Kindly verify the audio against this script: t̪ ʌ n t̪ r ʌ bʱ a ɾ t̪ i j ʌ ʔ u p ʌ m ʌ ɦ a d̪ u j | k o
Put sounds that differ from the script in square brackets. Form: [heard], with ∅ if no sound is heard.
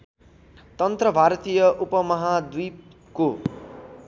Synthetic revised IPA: t̪ ʌ n t̪ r ʌ bʱ a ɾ t̪ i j ʌ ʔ u p ʌ m ʌ ɦ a d̪ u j | k o